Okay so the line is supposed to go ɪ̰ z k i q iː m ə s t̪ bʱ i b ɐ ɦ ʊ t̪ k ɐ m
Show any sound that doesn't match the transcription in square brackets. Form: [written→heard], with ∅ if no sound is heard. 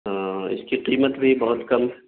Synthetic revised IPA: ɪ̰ [z→s] k i q iː m ə [s→∅] t̪ bʱ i b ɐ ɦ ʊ t̪ k ɐ m